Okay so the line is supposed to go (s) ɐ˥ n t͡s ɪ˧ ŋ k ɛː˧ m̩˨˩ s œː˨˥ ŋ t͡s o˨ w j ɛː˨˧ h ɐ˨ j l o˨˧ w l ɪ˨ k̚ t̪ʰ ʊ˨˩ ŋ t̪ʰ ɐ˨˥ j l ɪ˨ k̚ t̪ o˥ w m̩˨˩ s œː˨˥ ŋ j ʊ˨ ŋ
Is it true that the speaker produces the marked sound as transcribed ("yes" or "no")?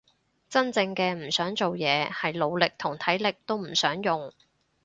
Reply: no